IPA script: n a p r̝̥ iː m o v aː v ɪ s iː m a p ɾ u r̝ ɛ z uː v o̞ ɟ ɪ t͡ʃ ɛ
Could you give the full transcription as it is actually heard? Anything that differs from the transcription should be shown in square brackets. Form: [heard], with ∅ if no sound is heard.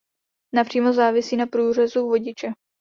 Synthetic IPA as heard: n a p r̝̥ iː m o [z] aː v ɪ s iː [n] a p ɾ [uː] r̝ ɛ z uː v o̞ ɟ ɪ t͡ʃ ɛ